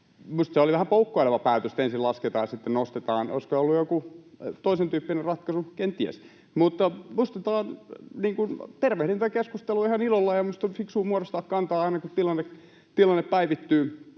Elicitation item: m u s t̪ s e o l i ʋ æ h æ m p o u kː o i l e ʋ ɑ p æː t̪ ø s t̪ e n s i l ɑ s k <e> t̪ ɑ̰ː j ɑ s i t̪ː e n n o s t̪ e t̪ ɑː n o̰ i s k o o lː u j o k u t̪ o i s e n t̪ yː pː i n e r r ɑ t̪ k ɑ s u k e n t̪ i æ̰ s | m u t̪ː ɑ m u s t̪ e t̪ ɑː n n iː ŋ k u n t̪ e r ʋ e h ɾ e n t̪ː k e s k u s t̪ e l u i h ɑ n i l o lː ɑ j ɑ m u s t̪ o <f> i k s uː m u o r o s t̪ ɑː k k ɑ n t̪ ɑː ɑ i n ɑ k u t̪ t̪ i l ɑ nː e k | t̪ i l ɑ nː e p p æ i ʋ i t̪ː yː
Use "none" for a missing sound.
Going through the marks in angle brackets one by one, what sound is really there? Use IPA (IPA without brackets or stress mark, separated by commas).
e, f